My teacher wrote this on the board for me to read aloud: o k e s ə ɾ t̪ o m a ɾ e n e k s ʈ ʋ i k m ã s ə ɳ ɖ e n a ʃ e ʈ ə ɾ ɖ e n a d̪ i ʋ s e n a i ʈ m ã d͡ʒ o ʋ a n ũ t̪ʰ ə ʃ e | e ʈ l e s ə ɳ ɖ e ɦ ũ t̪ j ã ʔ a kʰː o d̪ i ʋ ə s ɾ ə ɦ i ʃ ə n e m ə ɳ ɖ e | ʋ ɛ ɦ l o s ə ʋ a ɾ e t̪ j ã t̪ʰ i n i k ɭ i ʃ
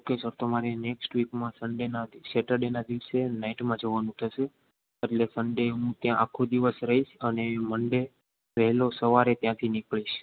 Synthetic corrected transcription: o k e s ə ɾ t̪ o m a ɾ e n e k s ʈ ʋ i k m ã s ə ɳ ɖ e n a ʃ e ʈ ə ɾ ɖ e n a d̪ i ʋ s e n a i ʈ m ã d͡ʒ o ʋ a n ũ t̪ʰ ə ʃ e | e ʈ l e s ə ɳ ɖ e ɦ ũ t̪ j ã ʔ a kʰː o d̪ i ʋ ə s ɾ ə ɦ i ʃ ə n e m ə ɳ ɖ e | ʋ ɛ ɦ l o s ə ʋ a ɾ e t̪ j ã t̪ʰ i n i k ɭ i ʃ